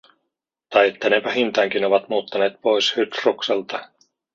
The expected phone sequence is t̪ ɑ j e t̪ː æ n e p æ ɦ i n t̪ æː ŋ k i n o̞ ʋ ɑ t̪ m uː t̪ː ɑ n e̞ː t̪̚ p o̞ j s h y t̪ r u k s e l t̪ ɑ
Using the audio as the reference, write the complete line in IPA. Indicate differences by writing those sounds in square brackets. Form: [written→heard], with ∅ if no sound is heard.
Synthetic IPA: t̪ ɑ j e t̪ː æ n e p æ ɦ i n t̪ æː ŋ k i n o̞ ʋ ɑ t̪ m uː t̪ː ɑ n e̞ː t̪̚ p o̞ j s h y t̪ r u k s e l t̪ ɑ